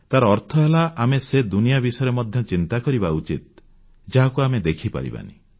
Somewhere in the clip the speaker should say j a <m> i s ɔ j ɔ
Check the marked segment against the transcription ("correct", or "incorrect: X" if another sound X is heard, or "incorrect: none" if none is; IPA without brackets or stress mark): incorrect: b